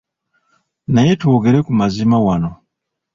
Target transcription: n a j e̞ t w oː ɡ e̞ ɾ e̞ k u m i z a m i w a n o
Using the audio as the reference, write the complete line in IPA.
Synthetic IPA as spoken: n a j e̞ t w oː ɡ e̞ ɾ e̞ k u m a z i m a w a n o